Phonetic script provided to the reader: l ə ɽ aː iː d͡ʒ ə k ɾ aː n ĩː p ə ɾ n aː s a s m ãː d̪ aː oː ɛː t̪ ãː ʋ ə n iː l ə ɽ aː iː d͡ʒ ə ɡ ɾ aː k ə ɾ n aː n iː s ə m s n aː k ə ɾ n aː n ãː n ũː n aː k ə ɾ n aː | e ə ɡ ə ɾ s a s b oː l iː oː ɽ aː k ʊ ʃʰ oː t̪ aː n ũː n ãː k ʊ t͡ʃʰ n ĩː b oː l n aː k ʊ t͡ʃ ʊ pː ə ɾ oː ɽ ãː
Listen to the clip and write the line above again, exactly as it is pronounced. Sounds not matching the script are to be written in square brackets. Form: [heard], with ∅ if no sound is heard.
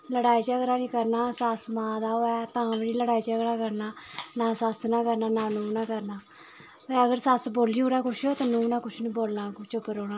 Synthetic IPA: l ə ɽ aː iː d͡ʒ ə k ɾ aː n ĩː [k] ə ɾ n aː s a s m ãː d̪ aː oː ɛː t̪ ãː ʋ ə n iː l ə ɽ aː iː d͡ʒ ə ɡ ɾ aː k ə ɾ n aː n [aː] s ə [∅] s n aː k ə ɾ n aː n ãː n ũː n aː k ə ɾ n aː | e ə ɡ ə ɾ s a s b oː l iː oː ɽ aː k ʊ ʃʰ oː t̪ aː n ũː n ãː k ʊ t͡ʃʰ n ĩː b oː l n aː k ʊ t͡ʃ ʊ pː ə ɾ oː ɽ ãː